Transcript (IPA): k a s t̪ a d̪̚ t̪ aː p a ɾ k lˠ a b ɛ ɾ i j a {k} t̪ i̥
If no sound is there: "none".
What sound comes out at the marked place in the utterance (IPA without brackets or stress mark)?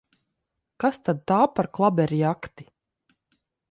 k